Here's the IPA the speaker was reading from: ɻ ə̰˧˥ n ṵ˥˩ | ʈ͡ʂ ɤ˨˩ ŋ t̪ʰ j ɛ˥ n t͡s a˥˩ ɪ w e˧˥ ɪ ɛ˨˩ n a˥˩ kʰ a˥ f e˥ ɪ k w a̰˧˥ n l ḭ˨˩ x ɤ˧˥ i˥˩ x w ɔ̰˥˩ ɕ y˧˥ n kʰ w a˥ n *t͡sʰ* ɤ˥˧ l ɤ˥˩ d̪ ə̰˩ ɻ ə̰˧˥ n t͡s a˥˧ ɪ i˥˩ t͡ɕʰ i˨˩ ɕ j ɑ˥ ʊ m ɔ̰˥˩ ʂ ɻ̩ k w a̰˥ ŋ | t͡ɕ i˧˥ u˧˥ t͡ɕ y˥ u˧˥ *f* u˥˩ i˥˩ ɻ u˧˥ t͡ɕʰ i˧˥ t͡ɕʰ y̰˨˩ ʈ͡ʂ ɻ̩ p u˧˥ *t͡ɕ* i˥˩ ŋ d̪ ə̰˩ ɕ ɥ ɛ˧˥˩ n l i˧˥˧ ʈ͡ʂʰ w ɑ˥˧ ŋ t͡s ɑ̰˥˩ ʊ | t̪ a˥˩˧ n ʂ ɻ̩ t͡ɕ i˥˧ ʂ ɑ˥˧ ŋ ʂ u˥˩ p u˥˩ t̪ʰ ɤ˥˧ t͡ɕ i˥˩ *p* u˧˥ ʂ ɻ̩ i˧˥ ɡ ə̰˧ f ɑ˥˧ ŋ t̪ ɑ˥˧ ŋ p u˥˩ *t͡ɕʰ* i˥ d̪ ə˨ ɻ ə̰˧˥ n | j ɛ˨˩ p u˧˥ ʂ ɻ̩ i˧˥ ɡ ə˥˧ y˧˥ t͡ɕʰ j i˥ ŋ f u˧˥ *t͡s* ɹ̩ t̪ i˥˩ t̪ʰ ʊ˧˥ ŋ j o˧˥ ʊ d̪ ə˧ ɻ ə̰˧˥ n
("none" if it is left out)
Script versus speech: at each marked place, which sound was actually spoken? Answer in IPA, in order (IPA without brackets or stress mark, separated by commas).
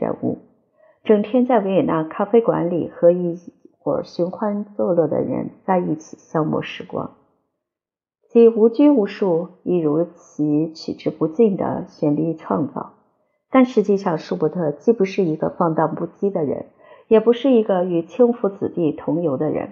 t͡s, ʂ, t͡ɕ, p, t͡ɕ, t͡s